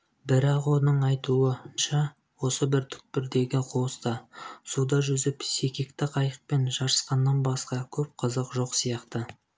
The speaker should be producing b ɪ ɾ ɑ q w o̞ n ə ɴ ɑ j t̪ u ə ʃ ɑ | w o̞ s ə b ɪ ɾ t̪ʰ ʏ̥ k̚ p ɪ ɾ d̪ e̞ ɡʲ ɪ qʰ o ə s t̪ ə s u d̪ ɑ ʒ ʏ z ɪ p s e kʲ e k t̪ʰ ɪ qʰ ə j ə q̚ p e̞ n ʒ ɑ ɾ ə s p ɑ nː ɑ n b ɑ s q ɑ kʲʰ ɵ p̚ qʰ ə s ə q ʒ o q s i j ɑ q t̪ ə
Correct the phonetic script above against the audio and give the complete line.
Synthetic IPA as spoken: b ɪ ɾ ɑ q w o̞ n ə ɴ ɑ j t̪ u ə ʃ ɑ | w o̞ s ə b ɪ ɾ t̪ʰ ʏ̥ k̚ p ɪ ɾ d̪ e̞ ɡʲ ɪ qʰ o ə s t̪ ɑ s u d̪ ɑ ʒ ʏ z ɪ p s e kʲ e k t̪ ɪ qʰ ɑ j ə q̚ p e̞ n ʒ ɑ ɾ ə s q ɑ nː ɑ n b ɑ s q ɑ kʲʰ ɵ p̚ qʰ ə z ə q ʒ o q s i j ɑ q t̪ ə